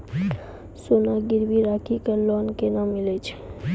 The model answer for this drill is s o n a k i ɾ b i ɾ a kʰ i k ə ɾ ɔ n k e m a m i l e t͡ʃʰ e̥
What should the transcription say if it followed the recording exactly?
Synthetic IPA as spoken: s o n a ɡ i ɾ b i ɾ a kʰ i k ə l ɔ n k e n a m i l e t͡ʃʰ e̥

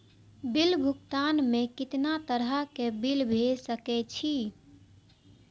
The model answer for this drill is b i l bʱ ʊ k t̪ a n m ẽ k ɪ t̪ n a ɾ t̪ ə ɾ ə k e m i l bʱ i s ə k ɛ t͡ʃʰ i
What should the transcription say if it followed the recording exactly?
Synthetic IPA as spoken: b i l bʱ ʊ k t̪ a n m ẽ k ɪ t̪ n a t̪ ə ɾ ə k e b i l bʱ e s ə k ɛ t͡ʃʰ i

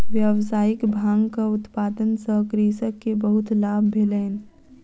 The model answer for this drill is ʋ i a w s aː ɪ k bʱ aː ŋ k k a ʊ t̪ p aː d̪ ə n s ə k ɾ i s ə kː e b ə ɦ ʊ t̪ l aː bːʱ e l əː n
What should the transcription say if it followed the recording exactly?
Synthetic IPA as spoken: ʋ j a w s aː ɪ k bʱ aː ŋ ɡ k a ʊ t̪ p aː d̪ ə n s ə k ɾ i s ə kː e b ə ɦ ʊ t̪ l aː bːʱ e l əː n

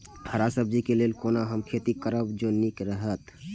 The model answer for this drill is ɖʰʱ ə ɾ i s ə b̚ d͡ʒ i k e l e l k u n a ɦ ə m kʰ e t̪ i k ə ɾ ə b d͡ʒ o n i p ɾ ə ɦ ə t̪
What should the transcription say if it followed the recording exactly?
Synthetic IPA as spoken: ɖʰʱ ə ɾ a s ə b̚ d͡ʒ i k e l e l k o n a ɦ ə m kʰ e t̪ i k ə ɾ ə b d͡ʒ o n i k ɾ ə ɦ ə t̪

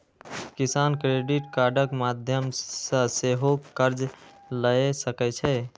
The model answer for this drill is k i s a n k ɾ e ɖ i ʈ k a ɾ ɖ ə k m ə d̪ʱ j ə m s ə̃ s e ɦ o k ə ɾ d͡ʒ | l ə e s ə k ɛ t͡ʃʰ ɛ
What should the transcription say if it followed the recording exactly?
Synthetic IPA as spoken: k i s a n k ɾ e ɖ i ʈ k a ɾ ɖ ə k m a d̪ʱ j ə m s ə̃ s e ɦ o k ə ɾ d͡ʒ | l ə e s ə k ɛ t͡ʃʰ ɛ

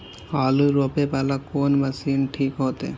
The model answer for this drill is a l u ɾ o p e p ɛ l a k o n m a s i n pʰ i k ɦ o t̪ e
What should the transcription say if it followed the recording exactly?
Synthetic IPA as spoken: a l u ɾ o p e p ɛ l a k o n m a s i n ʈʰ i k ɦ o t̪ e

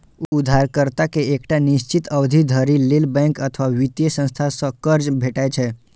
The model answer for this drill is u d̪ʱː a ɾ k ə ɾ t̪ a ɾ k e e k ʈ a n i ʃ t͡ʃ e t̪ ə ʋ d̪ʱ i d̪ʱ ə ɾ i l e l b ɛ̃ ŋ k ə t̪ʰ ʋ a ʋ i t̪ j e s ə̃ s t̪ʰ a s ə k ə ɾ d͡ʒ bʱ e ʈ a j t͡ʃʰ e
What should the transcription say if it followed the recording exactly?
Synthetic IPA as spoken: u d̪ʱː a ɾ k ə ɾ t̪ a k e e k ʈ a n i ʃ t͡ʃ i t̪ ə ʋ d̪ʱ i d̪ʱ ə ɾ i l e l b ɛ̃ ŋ k ə t̪ʰ ʋ a ʋ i t̪ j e s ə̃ s t̪ʰ a s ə k ə ɾ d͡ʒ bʱ e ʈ a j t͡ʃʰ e

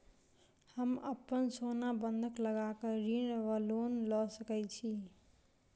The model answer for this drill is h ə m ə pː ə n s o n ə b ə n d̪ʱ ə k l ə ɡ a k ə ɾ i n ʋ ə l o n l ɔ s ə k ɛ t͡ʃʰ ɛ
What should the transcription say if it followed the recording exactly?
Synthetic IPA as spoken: h ə m ə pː ə n s o n a b ə n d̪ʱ ə k l ə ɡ a k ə ɾ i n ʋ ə l o n l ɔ s ə k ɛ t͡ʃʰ i

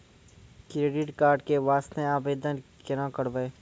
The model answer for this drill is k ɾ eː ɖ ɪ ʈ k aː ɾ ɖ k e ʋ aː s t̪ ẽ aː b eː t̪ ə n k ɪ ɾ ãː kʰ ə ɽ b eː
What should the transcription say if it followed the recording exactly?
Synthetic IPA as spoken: k ɾ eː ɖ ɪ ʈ k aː ɾ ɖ k e ʋ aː s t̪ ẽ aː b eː d̪ ə n k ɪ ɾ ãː k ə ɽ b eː

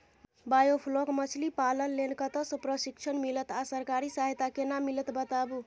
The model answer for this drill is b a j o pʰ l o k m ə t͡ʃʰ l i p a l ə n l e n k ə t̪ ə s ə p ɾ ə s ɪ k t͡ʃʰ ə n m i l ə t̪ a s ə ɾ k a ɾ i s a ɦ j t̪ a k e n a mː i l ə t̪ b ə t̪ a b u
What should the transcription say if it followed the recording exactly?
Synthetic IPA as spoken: b a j o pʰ l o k m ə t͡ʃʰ l i p a l ə n l e n k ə t̪ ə s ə p ɾ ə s i k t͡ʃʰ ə n m i l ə t̪ a s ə ɾ k a ɾ i s a ɦ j t̪ a k e n a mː i l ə t̪ b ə t̪ a b u

